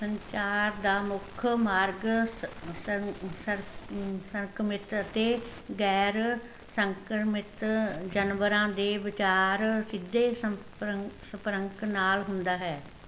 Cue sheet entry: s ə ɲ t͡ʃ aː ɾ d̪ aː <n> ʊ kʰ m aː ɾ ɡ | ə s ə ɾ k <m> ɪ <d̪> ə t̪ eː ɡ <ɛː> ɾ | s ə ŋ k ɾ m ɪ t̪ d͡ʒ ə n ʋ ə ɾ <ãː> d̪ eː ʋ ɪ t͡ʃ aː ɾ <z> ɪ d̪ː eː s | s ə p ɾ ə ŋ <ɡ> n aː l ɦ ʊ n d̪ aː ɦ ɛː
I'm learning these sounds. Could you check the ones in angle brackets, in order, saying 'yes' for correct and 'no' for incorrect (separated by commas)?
no, yes, no, yes, yes, no, no